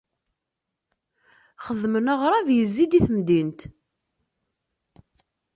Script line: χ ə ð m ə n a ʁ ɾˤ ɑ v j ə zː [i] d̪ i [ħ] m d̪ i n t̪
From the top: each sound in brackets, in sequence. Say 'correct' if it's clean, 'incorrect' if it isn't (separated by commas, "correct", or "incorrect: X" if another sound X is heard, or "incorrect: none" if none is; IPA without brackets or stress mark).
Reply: correct, incorrect: θ